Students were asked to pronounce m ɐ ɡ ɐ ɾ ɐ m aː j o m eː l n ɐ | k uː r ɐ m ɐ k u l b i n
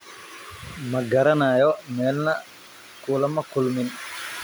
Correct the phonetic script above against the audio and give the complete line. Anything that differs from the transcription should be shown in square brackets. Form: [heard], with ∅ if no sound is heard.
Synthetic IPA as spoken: m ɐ ɡ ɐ ɾ ɐ [n] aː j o m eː l n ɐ | k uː [l] ɐ m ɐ k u l [m] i n